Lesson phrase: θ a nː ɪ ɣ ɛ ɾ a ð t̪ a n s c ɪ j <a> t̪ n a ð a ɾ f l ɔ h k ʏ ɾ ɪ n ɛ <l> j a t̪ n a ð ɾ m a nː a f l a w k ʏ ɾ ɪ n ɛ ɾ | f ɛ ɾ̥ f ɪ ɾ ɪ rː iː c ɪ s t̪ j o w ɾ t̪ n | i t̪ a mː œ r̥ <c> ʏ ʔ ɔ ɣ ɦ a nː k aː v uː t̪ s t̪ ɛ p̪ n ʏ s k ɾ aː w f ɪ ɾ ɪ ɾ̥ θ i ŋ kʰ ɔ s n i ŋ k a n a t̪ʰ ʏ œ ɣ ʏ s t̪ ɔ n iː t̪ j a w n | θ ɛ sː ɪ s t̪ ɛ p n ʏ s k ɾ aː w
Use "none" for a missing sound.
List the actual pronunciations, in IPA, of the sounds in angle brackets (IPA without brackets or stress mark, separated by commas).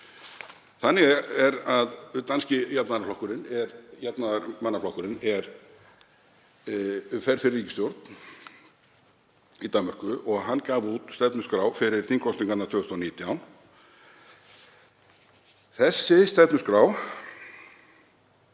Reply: a, ɾ, k